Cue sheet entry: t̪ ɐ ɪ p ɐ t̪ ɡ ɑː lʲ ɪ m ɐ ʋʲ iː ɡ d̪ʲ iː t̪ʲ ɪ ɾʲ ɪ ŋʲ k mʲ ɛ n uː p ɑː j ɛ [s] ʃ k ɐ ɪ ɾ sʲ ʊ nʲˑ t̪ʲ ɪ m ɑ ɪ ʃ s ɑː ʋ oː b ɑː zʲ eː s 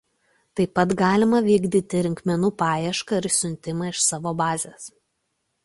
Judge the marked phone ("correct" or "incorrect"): incorrect